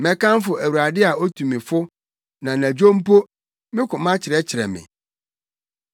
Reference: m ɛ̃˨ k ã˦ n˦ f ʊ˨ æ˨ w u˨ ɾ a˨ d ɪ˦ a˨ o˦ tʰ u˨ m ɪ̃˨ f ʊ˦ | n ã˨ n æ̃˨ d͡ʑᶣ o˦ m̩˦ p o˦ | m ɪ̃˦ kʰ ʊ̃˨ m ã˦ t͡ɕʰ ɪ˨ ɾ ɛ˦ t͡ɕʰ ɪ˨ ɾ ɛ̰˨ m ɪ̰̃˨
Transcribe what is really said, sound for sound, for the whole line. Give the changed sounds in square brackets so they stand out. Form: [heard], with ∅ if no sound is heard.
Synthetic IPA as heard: m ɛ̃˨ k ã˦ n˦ f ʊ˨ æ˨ w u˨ ɾ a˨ d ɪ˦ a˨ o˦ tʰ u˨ m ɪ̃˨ f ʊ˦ | n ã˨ n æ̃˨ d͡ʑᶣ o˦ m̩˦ p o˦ | m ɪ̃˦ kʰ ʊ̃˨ m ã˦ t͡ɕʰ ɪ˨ ɾ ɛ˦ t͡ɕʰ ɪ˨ ɾ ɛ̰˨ m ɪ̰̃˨